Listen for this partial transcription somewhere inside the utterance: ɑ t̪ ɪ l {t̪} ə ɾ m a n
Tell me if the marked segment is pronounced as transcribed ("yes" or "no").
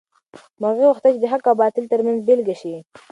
yes